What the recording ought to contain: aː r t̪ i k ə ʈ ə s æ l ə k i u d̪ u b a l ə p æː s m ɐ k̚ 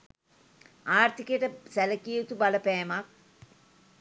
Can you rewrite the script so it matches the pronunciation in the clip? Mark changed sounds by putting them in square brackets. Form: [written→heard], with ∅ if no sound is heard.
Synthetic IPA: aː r t̪ i k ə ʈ ə s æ l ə k i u [d̪→t̪] u b a l ə p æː [s→∅] m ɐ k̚